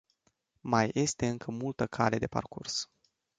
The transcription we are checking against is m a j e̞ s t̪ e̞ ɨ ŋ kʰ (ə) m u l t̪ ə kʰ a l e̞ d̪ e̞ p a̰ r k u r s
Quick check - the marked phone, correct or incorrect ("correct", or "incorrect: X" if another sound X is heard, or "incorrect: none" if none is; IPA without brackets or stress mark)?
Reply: correct